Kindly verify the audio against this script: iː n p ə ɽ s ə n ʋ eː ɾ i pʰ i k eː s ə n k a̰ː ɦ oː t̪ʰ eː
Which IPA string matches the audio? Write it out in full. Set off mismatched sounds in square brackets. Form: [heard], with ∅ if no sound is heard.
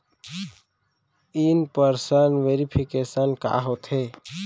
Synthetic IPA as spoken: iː n p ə [ɾ] s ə n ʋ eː ɾ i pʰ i k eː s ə n k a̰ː ɦ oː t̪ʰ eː